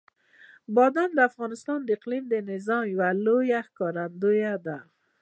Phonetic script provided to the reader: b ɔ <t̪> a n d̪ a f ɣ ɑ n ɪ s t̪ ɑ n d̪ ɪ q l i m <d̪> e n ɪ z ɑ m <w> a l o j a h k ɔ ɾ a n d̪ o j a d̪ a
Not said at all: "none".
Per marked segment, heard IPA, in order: d̪, d̪, w

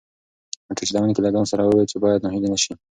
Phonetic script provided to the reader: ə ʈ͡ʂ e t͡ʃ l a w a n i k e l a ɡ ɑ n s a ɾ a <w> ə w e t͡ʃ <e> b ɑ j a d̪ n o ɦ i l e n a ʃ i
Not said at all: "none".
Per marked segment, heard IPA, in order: w, e

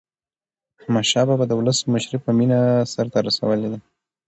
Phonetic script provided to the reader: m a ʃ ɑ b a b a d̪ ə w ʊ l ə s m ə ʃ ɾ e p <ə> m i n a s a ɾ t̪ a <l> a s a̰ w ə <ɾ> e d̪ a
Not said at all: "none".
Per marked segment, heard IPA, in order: ə, ɾ, l

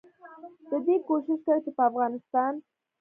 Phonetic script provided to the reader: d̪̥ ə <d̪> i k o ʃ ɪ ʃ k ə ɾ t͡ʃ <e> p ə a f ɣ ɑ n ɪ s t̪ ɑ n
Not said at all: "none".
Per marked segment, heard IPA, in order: d̪, e

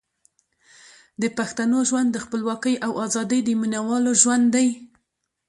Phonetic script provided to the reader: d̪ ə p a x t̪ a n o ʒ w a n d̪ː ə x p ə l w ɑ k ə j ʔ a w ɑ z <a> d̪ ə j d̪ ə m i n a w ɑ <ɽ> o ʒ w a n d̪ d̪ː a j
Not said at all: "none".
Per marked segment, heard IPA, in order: ɑ, l

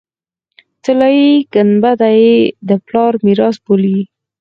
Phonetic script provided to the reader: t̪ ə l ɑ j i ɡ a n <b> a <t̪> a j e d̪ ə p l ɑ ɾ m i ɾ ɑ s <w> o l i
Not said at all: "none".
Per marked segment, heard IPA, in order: b, d̪, b

